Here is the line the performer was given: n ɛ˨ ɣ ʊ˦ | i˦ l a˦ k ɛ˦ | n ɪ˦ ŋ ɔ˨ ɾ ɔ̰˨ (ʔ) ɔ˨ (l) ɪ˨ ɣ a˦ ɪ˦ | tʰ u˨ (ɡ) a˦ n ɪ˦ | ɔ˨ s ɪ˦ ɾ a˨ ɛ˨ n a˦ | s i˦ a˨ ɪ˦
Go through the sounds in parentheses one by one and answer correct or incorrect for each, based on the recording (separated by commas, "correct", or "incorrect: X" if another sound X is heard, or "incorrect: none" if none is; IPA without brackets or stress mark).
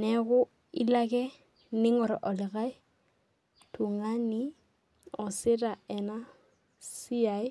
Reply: correct, correct, incorrect: ŋ